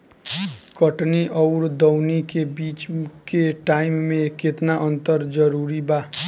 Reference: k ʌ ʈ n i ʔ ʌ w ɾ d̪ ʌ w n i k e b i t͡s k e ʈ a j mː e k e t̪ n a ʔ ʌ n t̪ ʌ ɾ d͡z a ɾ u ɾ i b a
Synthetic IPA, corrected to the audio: k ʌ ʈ n i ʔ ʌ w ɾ d̪ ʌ w n i k e b i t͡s k e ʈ a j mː e k e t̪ n a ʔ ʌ n t̪ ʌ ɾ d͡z ʌ ɾ u ɾ i b a

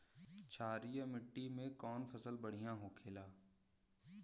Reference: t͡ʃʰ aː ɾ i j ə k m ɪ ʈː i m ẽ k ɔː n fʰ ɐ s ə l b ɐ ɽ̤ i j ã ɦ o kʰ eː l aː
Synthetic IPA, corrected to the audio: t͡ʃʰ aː ɾ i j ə m ɪ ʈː i m ẽ k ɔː n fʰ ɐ s ə l b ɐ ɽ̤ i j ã ɦ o kʰ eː l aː

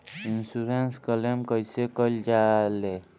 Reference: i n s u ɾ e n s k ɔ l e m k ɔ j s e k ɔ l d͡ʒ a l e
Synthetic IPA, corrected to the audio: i n s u ɾ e n s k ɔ l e m k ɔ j s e k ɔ l d͡ʒ a l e

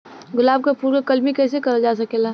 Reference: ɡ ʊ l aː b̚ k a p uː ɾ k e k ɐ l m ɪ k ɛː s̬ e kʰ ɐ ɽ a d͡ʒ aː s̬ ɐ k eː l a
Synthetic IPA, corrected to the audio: ɡ ʊ l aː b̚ k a p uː ɾ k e k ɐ l m i k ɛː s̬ e k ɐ ɾ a d͡ʒ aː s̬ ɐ k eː l a

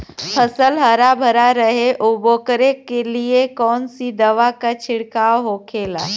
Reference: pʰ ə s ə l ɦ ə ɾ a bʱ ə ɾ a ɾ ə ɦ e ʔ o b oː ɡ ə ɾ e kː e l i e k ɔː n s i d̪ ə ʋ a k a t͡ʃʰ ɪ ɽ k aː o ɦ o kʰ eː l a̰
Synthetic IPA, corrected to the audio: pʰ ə s ə l ɦ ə ɾ a bʱ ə ɾ a ɾ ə ɦ e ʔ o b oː k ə ɾ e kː e l i e k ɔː n s i d̪ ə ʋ a k a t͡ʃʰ ɪ ɽ k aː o ɦ o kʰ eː l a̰

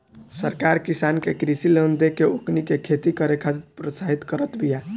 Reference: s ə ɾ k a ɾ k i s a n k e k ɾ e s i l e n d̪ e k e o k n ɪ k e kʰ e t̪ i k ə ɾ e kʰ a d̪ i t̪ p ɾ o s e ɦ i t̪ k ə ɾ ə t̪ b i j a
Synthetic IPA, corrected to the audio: s ə ɾ k a ɾ k i s a n k e k ɾ i s i l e n d̪ e k e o k n i k e kʰ e t̪ i k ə ɾ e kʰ a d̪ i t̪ p ɾ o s a ɦ i t̪ k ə ɾ ə t̪ b i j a

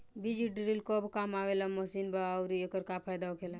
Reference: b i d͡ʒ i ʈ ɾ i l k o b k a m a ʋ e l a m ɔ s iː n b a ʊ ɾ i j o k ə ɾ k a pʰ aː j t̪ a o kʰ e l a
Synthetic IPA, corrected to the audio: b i d͡ʒ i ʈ ɾ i l k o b k a m a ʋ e l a m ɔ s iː n b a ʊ ɾ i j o k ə ɾ k a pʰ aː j d̪ a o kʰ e l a

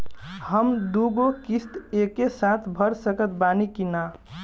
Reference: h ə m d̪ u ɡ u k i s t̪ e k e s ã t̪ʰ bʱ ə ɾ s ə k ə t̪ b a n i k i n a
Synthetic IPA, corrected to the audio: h ə m d̪ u ɡ o k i s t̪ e k e s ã t̪ʰ bʱ ə ɾ s ə k ə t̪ b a n i k i n a

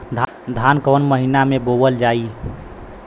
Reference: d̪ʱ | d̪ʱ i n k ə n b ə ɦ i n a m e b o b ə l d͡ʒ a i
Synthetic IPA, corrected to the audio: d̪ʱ | d̪ʱ a n k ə n m ə ɦ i n a m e b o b ə l d͡ʒ a i

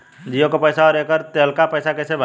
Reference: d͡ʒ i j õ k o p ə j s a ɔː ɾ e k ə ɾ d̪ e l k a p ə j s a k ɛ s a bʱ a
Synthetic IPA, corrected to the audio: d͡ʒ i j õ k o p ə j s a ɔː ɾ e k ə ɾ t̪ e l k a p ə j s a k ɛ s e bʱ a

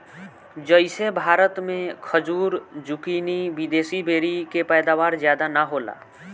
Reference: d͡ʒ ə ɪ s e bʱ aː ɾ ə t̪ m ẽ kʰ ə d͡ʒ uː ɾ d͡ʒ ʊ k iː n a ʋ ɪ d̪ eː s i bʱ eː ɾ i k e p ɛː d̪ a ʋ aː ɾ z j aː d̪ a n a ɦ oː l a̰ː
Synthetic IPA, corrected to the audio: d͡ʒ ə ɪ s e bʱ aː ɾ ə t̪ m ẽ kʰ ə d͡ʒ uː ɾ d͡ʒ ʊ k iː n i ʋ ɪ d̪ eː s i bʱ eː ɾ i k e p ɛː d̪ a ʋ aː ɾ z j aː d̪ a n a ɦ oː l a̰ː

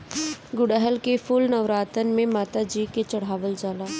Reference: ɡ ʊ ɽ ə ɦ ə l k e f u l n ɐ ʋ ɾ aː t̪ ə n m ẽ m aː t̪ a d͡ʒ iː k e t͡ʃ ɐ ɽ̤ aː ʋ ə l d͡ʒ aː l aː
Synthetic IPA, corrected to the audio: ɡ ʊ ɽ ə ɦ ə l k e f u l n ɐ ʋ ɾ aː t̪ ə n m ẽ m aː t̪ a d͡ʒ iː k e t͡ʃ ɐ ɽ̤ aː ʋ ə l d͡ʒ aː l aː

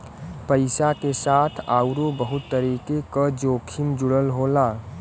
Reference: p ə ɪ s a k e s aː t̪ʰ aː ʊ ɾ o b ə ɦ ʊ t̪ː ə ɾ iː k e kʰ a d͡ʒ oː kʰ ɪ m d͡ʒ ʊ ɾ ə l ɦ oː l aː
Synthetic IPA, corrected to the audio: p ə ɪ s a k e s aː t̪ʰ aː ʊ ɾ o b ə ɦ ʊ t̪ː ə ɾ iː k e k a d͡ʒ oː kʰ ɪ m d͡ʒ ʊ ɽ ə l ɦ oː l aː

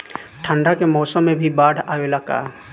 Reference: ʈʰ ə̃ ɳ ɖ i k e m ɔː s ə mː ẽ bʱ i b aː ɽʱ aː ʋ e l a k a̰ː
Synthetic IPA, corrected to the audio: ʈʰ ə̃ ɳ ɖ a k e m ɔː s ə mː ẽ bʱ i b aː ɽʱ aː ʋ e l a k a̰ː

